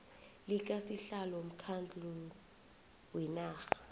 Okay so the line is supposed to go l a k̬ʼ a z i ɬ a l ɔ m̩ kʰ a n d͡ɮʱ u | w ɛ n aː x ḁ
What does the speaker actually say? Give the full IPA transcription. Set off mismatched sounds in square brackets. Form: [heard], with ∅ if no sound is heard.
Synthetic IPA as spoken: l [i] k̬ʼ a [s] i ɬ a l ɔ m̩ kʰ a n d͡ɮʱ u | w ɛ n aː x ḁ